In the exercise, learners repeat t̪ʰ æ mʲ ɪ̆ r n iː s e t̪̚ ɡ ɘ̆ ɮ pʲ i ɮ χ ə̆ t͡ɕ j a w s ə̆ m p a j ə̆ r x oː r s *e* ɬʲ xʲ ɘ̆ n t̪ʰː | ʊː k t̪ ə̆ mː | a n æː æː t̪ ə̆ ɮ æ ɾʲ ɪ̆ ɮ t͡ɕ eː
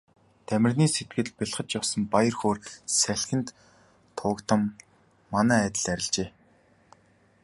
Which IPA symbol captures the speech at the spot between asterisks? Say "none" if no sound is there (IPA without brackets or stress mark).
æ